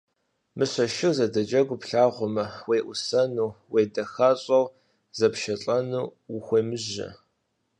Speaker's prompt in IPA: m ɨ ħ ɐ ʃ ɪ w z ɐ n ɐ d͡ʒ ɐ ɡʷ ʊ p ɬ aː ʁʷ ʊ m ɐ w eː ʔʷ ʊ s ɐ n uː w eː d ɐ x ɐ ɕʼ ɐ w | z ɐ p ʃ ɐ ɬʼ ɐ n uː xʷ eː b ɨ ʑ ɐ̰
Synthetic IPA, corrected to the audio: m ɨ ɕ ɐ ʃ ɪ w z ɐ d ɐ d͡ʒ ɐ ɡʷ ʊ p ɬ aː ʁʷ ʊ m ɐ w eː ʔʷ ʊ s ɐ n uː w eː d ɐ x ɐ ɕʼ ɐ w | z ɐ p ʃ ɐ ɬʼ ɐ n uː xʷ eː m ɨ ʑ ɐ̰